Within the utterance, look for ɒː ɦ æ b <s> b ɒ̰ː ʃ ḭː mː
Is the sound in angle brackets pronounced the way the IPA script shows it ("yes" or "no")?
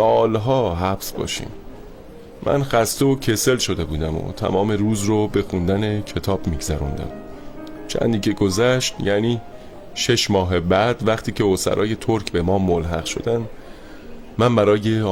yes